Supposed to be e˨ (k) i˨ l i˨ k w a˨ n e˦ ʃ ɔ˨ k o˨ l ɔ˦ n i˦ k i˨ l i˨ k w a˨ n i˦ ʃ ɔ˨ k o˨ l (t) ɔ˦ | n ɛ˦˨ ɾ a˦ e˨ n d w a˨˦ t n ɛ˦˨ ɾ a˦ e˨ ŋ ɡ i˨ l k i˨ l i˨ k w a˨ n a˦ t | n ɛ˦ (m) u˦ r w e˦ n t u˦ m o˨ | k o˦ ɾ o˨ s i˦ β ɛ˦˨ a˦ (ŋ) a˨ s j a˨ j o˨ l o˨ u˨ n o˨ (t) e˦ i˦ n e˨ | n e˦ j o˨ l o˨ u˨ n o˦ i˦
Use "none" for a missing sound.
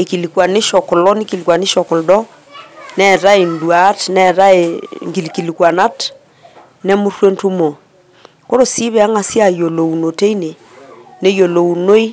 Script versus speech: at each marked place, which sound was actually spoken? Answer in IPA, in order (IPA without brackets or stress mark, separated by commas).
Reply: k, d, m, ŋ, t